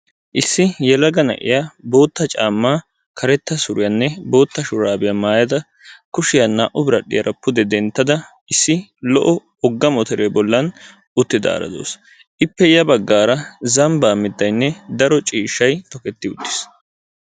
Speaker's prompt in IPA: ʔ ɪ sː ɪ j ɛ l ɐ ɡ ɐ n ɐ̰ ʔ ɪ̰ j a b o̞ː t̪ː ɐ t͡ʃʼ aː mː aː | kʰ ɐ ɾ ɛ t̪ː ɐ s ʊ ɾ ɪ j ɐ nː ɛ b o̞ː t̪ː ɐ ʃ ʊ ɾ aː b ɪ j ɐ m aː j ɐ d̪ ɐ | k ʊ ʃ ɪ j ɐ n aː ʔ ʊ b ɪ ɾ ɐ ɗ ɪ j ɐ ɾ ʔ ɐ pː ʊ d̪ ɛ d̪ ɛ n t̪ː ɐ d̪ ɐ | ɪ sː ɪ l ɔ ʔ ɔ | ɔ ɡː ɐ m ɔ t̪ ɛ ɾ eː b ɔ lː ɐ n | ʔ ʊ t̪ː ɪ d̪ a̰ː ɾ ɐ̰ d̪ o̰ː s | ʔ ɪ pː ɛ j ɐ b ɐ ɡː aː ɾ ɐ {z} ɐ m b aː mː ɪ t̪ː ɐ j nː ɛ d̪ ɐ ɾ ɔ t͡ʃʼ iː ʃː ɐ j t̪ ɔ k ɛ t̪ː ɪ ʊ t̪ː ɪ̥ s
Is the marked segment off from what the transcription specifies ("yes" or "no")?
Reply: no